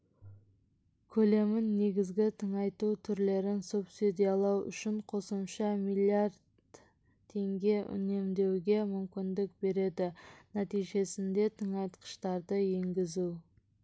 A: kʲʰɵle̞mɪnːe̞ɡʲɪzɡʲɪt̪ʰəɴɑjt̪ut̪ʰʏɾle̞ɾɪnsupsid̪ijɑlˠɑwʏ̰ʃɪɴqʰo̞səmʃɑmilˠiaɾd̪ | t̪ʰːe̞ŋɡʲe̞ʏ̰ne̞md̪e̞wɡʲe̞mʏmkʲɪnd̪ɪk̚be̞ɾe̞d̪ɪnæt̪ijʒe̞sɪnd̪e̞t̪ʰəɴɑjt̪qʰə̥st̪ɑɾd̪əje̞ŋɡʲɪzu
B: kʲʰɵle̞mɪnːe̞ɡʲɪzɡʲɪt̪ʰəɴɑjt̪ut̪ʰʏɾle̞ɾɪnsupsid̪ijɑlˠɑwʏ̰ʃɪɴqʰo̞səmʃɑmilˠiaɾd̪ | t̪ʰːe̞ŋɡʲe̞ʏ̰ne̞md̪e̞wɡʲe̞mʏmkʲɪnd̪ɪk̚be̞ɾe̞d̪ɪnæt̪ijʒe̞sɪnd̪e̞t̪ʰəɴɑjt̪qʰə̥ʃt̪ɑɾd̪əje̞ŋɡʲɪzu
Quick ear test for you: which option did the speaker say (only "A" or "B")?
B